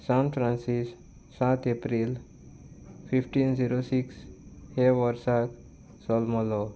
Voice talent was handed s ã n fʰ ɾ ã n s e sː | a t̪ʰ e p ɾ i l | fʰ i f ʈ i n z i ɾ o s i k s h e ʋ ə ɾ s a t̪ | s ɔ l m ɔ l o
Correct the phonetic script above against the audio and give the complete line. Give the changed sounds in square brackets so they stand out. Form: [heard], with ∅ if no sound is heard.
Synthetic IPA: s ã n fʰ ɾ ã n s [i] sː | a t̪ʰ e p ɾ i l | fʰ i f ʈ i n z i ɾ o s i k s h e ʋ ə ɾ s a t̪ | s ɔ l m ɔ l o